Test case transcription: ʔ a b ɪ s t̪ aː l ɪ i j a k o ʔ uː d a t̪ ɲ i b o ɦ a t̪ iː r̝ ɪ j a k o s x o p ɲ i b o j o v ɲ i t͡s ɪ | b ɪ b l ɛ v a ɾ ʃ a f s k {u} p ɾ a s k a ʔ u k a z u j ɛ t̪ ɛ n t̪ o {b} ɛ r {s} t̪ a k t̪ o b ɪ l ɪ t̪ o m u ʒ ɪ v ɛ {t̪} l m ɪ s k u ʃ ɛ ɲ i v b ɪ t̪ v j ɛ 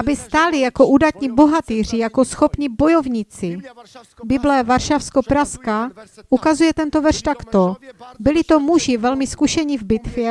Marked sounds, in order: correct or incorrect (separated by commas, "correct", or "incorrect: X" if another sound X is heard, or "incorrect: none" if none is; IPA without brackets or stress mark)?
incorrect: o, incorrect: v, incorrect: ʃ, incorrect: none